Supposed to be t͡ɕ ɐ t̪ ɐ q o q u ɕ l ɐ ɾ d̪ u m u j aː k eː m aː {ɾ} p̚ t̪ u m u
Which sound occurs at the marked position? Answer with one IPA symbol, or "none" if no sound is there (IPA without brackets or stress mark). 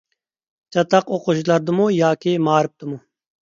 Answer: ɾ